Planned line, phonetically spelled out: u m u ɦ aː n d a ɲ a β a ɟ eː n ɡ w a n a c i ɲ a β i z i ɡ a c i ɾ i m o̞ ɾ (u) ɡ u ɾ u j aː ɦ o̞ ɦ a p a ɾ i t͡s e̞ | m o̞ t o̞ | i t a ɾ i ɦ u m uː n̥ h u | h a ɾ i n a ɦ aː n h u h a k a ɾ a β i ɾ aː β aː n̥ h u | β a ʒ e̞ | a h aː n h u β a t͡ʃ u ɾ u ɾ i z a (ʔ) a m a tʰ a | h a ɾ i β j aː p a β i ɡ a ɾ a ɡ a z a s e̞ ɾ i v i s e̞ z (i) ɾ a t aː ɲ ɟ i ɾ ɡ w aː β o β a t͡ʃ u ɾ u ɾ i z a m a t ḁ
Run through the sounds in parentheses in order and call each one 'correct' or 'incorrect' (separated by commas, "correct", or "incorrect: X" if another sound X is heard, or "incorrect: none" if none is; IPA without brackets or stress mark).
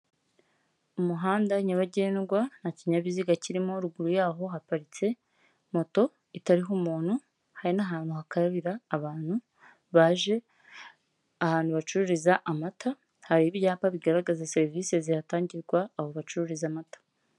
correct, correct, correct